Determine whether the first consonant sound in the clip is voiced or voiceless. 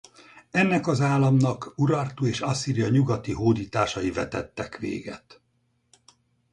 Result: voiced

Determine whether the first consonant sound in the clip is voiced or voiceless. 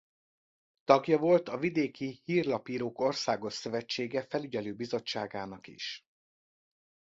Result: voiceless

